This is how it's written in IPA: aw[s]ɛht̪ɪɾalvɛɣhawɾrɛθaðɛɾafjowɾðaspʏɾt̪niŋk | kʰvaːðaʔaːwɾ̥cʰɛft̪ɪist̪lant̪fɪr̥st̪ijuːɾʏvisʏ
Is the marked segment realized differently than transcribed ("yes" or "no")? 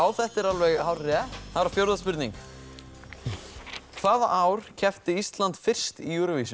yes